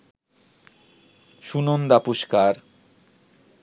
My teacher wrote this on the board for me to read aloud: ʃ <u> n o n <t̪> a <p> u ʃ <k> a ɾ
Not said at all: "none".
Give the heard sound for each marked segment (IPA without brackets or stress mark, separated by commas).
u, d̪, p, k